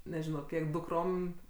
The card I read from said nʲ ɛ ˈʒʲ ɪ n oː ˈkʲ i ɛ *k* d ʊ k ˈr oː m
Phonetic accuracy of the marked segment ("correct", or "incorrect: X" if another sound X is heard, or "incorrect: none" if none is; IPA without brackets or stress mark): correct